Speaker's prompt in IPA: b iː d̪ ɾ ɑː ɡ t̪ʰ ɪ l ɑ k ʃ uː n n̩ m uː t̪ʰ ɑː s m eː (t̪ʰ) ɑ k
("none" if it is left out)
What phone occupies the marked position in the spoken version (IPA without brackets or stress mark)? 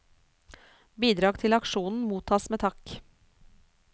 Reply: t̪ʰ